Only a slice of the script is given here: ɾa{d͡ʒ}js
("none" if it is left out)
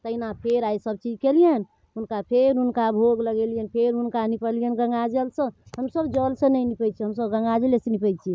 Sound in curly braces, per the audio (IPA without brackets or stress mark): none